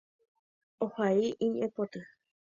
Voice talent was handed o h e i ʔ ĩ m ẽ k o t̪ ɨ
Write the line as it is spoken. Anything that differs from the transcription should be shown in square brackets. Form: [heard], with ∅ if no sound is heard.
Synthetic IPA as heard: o h [a] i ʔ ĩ [ɲ] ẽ [p] o t̪ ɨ